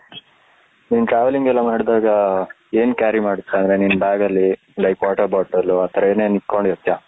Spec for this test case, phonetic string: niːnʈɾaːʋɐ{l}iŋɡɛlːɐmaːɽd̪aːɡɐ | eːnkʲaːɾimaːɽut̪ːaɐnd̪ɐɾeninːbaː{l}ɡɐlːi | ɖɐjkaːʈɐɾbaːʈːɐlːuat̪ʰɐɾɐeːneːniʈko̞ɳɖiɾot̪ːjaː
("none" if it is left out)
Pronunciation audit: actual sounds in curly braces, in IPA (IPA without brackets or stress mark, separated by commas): l, none